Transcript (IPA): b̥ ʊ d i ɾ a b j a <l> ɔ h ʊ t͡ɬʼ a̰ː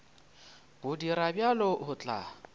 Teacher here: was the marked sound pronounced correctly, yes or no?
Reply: yes